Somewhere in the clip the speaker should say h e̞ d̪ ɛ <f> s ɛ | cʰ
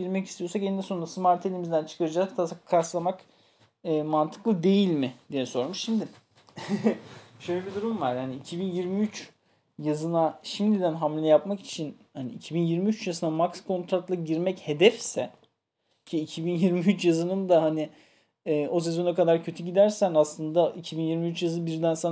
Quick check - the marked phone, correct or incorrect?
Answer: correct